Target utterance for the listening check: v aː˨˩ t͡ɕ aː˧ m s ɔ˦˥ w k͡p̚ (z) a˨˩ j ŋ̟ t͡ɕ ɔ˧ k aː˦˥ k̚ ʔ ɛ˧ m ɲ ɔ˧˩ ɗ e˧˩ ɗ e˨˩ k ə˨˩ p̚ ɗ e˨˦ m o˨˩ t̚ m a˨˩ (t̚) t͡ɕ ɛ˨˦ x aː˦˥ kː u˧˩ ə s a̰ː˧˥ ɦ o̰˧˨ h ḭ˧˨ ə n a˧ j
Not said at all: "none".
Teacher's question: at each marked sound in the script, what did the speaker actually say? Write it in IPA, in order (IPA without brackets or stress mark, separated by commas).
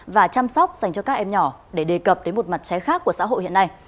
z, t̚